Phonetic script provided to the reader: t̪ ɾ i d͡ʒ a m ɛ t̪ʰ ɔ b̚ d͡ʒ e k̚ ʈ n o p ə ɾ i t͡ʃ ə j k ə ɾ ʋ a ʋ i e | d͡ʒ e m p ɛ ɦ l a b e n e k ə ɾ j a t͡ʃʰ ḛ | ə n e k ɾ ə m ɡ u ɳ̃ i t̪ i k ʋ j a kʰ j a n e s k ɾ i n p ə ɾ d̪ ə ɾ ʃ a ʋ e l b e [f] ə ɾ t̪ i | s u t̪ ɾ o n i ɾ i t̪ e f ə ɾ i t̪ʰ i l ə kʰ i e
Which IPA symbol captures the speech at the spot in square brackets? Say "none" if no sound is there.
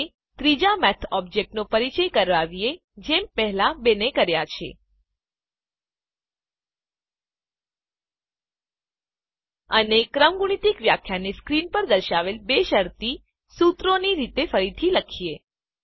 ʃ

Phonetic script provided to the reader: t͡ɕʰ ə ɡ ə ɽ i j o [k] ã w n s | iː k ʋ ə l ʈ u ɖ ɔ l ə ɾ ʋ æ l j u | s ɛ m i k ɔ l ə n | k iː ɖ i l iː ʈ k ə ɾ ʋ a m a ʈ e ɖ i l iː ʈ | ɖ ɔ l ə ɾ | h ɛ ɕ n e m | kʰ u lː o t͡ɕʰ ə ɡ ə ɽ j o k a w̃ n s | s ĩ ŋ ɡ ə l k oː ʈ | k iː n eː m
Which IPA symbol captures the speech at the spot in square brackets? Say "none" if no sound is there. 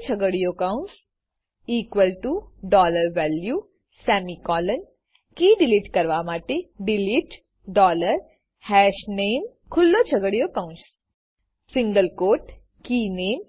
k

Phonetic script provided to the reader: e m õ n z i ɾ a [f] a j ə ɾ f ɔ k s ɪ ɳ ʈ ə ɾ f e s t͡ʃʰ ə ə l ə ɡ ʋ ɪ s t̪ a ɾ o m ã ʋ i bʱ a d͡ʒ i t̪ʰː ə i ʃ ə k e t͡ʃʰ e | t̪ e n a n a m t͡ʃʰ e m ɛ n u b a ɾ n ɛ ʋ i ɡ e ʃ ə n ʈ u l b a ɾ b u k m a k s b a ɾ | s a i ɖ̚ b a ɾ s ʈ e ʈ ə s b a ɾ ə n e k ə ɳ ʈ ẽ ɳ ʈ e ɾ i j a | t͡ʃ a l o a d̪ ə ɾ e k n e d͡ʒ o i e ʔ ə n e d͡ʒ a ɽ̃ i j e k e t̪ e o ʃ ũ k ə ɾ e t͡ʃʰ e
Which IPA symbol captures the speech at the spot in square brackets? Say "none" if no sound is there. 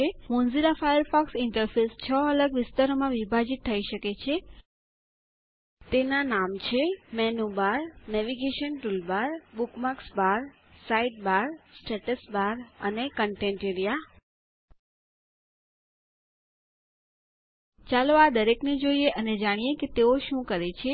f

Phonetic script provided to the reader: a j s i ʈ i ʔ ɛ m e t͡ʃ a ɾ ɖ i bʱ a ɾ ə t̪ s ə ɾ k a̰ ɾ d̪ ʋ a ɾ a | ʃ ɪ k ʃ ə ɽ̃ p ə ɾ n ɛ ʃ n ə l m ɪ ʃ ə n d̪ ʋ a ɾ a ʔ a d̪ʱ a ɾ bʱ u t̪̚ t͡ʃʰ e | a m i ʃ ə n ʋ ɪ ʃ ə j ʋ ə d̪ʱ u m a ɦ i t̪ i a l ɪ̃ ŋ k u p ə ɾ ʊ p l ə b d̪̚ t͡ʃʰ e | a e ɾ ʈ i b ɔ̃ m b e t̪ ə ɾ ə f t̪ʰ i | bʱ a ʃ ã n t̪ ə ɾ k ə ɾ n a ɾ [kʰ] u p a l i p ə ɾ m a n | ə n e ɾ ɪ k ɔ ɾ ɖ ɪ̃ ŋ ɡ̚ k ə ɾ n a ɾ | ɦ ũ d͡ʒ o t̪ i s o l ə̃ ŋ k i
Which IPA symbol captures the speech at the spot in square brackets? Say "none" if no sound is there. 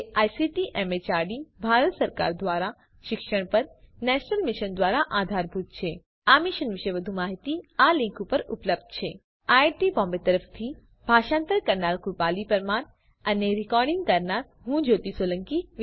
k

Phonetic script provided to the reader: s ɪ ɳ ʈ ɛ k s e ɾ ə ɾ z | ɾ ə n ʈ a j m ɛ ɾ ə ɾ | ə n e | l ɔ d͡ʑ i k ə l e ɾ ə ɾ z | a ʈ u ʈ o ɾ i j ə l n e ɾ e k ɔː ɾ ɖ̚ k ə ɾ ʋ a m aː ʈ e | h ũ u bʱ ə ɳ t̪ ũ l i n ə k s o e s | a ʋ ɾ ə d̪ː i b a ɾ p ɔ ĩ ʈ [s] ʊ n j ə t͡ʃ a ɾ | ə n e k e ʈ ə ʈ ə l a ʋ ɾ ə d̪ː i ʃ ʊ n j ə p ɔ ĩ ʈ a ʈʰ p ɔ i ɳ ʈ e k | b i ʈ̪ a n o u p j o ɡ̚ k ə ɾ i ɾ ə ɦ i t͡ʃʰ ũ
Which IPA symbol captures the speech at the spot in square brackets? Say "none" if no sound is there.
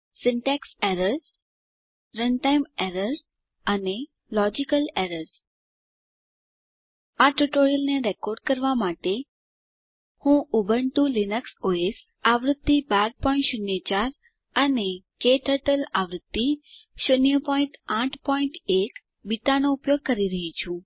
ʃ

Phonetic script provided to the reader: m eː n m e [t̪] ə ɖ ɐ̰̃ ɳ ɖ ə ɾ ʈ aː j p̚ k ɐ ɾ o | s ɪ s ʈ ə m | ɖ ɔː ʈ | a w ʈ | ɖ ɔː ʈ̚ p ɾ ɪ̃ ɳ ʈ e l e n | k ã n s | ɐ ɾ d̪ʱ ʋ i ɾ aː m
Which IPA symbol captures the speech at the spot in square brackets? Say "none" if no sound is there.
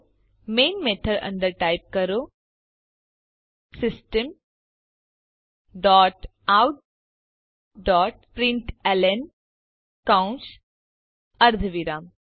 t̪ʰ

